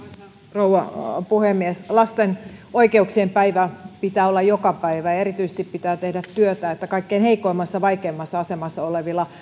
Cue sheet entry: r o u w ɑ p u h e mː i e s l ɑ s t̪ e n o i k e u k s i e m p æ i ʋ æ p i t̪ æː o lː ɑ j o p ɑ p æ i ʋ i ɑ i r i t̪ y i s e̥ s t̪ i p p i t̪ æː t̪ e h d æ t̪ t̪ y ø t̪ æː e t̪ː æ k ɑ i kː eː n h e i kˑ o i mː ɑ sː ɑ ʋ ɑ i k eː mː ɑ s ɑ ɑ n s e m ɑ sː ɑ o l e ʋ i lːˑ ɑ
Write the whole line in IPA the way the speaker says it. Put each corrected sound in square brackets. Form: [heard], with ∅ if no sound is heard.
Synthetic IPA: r o u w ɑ p u h e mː i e s l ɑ s t̪ e n o i k e u k s i e m p æ i ʋ æ p i t̪ æː o lː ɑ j o [k] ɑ p æ i ʋ [æ] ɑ [e] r i t̪ y i s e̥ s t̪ i p p i t̪ æː t̪ e h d æ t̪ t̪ y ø t̪ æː e t̪ː æ k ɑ i kː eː n h e i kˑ o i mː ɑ sː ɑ ʋ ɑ i k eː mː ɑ [sː] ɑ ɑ [∅] s e m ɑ sː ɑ o l e ʋ i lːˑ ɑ